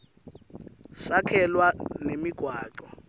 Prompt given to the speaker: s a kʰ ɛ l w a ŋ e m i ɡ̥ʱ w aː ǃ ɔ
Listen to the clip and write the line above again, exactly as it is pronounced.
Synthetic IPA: s a kʰ ɛ l w a n e m i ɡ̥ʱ w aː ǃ ɔ